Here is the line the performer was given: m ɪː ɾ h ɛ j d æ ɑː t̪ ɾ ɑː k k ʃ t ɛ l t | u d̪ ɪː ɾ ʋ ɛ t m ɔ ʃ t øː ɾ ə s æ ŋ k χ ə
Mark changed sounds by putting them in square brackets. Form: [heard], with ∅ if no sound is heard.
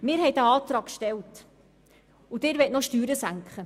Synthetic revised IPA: m ɪː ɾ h ɛ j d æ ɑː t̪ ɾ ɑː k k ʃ t ɛ l t | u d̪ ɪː ɾ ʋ ɛ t [n] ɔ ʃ t [yː] ɾ ə s æ ŋ k χ ə